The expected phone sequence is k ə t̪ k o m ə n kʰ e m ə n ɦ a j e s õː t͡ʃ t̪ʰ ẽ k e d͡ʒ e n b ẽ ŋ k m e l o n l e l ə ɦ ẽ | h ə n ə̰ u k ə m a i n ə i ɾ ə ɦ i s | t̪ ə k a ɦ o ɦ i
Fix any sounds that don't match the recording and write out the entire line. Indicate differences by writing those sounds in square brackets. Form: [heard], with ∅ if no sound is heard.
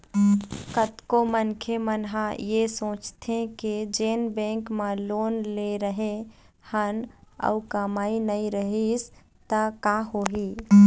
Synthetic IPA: k ə t̪ k o m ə n kʰ e m ə n ɦ a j e s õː t͡ʃ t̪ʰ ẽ k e d͡ʒ e n b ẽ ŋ k m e l o n l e [ɾ] ə ɦ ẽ | h ə n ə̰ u k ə m a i n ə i ɾ ə ɦ i s | t̪ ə k a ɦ o ɦ i